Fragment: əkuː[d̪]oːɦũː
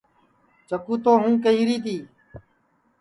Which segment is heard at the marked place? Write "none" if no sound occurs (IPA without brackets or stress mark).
t̪